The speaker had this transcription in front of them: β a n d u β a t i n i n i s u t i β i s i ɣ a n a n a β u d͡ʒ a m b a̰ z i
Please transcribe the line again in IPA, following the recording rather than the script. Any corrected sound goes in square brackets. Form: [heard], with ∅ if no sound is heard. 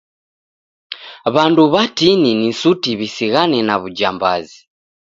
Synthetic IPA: β a n d u β a t i n i n i s u t i β i s i ɣ a n [ɛ] n a β u d͡ʒ a m b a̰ z i